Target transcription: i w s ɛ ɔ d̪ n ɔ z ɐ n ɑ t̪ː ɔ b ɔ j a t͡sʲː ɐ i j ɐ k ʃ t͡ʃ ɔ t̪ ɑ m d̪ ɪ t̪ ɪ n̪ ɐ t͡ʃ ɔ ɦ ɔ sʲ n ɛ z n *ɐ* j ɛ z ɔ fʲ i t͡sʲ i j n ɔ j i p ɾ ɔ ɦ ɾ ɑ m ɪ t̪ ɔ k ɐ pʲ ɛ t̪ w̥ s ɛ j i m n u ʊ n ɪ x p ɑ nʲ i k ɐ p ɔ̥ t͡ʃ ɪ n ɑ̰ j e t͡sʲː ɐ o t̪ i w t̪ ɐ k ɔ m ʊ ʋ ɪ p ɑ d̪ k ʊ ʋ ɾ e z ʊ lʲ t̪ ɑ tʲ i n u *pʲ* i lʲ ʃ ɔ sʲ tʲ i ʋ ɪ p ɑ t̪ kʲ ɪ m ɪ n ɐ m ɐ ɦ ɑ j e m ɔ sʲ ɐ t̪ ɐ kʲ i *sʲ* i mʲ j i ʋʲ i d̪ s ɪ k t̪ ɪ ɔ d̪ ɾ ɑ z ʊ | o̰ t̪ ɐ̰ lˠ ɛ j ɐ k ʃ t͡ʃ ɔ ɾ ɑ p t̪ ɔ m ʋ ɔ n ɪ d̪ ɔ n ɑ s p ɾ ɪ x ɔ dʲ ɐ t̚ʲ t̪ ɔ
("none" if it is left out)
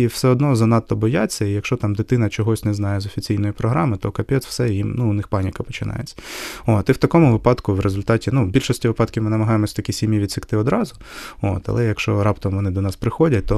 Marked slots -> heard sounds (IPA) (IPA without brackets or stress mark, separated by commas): ɑ, bʲ, sʲ